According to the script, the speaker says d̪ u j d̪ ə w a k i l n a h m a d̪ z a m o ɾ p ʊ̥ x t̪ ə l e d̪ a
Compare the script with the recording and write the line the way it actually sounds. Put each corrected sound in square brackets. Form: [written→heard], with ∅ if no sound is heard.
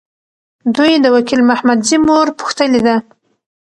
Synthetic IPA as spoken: d̪ u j d̪ ə w a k i l [n→m] a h m a d̪ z [a→i] m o ɾ p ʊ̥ x t̪ ə l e d̪ a